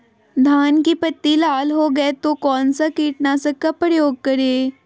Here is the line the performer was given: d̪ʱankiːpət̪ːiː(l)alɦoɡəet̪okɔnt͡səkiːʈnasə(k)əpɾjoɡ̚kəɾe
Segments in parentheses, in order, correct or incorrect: correct, correct

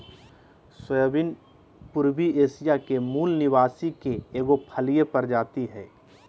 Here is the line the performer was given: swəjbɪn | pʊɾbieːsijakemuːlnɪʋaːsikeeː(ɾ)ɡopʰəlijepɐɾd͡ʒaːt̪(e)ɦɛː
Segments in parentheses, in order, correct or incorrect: incorrect, incorrect

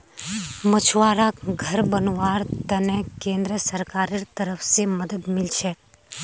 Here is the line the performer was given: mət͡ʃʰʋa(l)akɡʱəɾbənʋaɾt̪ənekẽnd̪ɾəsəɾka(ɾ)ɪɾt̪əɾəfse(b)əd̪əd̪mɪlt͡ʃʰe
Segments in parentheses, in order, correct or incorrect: incorrect, correct, incorrect

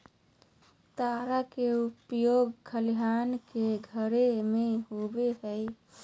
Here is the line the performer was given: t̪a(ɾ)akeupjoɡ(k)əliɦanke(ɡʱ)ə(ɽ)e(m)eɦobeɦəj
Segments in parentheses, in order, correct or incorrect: correct, incorrect, correct, incorrect, correct

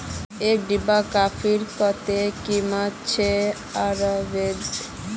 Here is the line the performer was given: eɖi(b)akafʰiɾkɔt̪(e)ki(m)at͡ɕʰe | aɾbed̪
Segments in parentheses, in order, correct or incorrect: correct, correct, correct

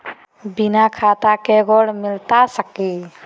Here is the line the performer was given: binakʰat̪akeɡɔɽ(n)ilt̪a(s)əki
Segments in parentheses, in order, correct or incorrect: incorrect, correct

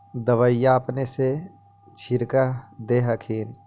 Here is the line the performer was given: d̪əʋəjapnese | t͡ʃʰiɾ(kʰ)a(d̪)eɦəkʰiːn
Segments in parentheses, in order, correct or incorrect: incorrect, correct

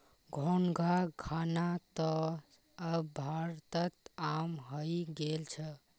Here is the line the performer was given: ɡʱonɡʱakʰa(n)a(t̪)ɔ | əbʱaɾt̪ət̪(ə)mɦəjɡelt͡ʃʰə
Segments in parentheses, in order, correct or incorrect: correct, correct, incorrect

